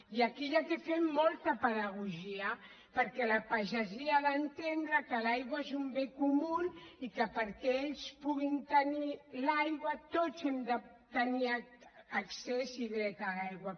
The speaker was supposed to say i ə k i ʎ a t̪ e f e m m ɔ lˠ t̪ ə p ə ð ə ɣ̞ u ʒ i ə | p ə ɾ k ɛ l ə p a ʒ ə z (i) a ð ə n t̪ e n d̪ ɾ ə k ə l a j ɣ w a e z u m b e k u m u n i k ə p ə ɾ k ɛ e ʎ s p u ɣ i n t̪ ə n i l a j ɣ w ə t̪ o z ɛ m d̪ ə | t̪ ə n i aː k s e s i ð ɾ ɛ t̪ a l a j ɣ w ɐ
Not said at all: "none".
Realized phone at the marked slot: i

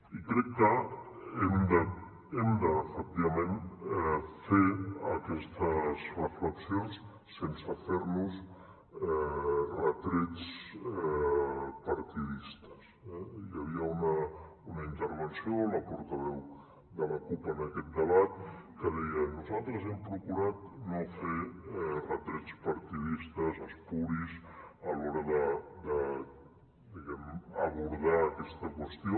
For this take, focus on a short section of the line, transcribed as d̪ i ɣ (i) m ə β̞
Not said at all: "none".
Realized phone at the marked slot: ɛ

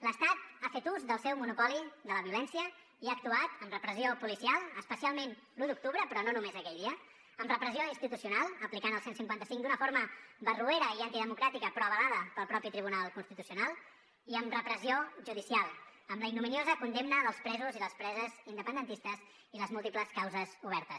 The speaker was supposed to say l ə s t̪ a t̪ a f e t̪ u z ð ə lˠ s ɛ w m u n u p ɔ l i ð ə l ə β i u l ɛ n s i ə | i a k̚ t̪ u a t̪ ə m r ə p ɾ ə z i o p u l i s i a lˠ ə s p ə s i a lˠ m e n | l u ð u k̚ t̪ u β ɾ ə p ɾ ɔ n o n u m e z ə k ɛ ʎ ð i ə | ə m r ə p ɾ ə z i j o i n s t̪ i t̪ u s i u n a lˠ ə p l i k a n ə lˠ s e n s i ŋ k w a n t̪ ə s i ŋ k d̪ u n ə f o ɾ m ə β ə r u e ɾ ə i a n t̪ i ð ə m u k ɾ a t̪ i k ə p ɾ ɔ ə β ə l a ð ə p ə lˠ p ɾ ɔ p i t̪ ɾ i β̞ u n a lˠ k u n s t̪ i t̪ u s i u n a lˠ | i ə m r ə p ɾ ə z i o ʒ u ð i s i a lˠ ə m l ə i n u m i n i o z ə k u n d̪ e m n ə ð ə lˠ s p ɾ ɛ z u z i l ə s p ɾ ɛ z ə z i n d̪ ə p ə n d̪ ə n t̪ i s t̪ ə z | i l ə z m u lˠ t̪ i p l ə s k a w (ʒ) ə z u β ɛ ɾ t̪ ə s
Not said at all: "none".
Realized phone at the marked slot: z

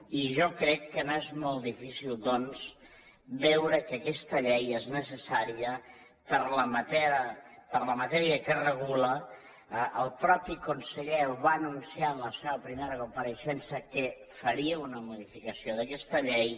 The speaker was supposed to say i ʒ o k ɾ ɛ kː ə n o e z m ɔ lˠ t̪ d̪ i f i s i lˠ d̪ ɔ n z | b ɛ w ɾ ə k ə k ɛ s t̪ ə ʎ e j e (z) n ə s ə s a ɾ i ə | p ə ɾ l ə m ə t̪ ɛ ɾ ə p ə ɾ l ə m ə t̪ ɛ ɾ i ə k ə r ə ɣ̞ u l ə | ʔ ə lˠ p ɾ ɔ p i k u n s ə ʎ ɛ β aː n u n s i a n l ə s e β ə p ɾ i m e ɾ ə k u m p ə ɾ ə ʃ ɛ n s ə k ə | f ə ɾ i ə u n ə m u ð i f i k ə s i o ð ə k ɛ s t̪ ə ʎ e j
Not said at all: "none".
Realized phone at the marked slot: z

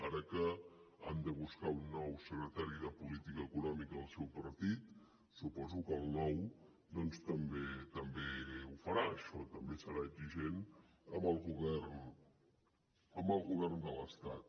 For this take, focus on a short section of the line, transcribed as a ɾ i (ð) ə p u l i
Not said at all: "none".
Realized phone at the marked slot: ð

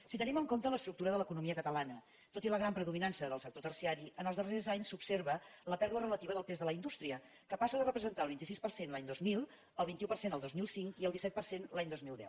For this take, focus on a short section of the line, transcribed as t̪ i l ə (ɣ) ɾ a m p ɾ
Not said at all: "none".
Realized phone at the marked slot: ɣ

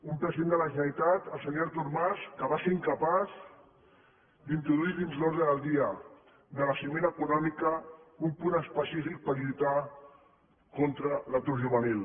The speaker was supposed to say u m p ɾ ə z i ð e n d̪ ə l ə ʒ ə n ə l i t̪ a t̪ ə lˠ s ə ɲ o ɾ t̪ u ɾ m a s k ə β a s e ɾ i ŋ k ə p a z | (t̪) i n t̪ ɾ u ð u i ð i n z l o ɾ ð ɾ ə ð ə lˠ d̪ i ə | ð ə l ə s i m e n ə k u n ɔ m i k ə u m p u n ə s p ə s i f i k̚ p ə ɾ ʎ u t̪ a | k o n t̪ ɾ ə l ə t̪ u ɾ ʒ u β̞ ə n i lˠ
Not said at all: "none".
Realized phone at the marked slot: d̪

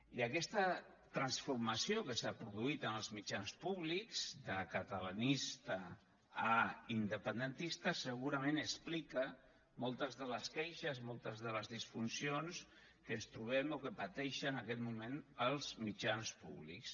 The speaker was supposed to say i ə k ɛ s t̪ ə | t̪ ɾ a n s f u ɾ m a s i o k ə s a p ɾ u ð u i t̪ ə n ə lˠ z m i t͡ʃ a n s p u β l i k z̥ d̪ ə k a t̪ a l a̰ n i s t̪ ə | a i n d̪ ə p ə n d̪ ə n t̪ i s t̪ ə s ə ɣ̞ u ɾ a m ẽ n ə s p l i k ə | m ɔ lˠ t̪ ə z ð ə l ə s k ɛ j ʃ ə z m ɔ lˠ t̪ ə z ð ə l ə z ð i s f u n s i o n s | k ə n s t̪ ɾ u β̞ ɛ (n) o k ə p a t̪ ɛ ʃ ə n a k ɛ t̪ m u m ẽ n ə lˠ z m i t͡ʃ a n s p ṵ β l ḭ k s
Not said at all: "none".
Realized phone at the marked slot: m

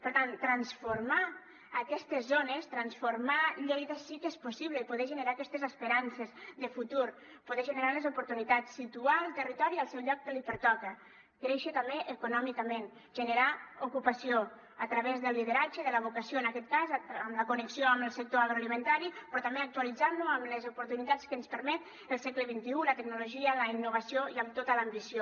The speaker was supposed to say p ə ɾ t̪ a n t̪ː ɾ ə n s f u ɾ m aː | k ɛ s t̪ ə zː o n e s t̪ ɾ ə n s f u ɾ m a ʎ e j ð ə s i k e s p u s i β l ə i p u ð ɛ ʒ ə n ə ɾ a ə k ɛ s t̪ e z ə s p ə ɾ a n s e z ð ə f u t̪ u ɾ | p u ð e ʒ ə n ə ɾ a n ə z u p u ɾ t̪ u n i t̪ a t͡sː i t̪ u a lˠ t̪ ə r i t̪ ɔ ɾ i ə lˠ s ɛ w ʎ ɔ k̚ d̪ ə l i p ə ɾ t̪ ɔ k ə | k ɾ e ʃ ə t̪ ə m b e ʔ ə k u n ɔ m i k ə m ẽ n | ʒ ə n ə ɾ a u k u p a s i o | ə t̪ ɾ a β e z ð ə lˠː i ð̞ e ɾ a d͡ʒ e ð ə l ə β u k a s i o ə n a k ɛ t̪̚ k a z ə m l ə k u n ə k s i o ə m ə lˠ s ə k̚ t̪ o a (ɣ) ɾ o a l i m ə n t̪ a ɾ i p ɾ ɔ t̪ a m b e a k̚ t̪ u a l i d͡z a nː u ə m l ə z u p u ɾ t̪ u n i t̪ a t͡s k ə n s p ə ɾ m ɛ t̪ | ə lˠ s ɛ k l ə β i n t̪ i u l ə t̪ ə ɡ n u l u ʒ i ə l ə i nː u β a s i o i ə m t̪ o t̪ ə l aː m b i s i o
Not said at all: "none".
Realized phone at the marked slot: ɣ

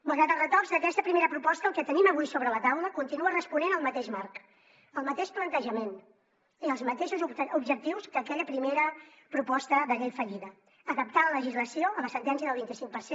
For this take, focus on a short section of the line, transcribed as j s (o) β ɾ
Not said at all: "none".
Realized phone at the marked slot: o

